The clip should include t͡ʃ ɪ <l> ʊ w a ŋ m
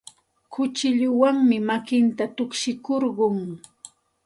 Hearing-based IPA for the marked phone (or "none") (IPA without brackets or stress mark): ʎ